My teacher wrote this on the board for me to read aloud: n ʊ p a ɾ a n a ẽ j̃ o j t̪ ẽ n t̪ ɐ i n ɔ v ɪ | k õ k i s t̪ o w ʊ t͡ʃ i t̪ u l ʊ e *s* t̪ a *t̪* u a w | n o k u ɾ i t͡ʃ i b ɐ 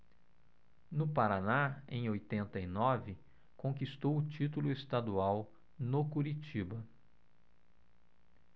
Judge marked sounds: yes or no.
yes, no

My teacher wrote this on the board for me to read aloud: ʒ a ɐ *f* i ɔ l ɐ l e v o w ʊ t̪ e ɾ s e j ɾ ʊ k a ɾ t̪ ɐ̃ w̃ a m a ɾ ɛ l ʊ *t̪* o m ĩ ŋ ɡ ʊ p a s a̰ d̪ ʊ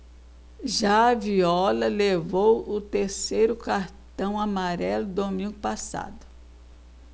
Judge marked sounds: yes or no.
no, no

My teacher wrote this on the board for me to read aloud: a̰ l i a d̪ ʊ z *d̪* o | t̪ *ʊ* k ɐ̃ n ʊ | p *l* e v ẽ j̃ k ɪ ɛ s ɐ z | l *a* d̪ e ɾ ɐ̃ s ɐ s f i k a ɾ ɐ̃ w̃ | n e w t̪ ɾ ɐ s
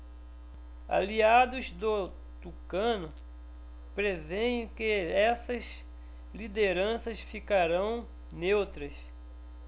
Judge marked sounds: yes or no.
yes, no, no, no

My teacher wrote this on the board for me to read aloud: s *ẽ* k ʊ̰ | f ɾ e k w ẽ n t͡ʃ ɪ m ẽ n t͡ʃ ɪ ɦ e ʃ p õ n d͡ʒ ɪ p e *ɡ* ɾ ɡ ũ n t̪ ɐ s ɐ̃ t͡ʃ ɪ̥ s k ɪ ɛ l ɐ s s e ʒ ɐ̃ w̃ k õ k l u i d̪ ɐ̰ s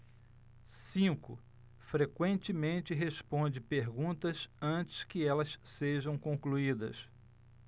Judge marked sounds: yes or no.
no, no

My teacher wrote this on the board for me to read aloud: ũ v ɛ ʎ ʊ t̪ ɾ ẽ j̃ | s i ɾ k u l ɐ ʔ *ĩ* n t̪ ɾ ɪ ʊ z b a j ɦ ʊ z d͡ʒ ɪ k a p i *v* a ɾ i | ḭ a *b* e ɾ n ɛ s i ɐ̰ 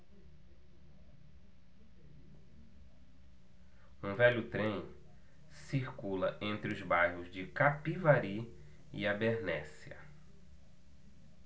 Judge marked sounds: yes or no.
no, yes, yes

